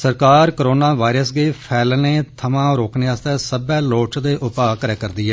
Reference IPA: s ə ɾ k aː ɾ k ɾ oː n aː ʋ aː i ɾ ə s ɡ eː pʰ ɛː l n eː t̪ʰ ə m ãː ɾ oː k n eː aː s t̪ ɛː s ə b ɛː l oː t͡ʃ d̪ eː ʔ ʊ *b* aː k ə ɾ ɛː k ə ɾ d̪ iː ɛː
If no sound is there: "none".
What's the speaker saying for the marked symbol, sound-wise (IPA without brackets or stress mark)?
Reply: p